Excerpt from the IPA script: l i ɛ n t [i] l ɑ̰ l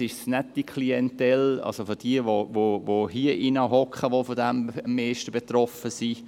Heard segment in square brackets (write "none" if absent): ɛ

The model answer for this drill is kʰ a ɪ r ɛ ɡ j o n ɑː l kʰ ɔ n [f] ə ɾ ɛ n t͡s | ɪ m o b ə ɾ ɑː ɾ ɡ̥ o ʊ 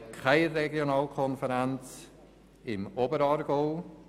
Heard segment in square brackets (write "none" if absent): f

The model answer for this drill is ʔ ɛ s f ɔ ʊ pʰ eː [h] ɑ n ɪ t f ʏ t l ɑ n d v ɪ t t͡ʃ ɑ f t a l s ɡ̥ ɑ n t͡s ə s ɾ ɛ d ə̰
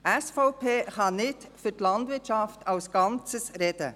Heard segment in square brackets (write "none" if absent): χ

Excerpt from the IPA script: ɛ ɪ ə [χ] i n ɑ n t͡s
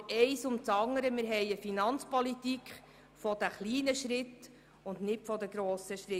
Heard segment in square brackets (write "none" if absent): f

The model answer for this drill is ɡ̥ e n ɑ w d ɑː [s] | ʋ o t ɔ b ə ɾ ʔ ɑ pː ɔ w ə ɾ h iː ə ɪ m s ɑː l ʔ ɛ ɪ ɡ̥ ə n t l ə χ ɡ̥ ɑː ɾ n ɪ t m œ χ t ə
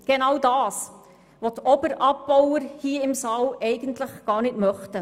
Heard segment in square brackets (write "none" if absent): s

